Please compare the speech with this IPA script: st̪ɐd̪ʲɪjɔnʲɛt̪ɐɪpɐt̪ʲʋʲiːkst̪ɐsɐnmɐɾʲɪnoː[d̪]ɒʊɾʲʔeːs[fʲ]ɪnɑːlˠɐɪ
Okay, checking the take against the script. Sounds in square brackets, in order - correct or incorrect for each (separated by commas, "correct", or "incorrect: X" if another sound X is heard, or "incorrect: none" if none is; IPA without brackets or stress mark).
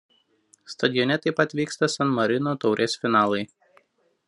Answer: incorrect: t̪, correct